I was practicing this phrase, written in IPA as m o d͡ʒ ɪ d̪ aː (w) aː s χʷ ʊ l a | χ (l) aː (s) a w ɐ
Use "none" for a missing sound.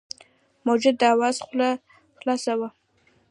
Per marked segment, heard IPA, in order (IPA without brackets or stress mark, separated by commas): w, l, s